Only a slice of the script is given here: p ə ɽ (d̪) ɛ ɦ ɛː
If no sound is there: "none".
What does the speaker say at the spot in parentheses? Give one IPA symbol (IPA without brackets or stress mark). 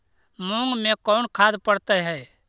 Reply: t̪